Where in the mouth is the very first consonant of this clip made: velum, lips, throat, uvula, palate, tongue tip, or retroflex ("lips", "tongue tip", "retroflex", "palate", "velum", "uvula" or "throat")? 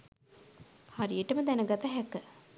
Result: throat